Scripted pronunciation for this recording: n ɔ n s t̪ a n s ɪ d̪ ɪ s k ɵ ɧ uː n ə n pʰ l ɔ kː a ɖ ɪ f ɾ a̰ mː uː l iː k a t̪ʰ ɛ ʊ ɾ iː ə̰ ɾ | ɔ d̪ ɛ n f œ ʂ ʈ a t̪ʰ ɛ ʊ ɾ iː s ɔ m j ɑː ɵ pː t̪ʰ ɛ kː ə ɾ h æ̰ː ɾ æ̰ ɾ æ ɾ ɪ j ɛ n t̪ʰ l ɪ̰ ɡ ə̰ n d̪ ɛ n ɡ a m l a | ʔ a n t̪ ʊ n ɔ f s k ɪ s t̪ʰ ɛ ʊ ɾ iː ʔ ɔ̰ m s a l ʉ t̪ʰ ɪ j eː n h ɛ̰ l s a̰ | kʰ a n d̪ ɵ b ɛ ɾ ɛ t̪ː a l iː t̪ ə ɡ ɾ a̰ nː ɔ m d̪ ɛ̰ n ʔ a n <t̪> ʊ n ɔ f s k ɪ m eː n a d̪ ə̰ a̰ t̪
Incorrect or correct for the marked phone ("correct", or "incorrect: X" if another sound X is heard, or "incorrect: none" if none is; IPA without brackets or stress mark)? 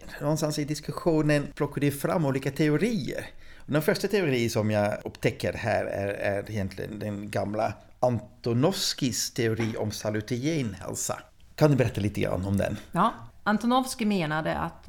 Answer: correct